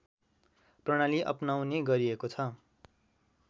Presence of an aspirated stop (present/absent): present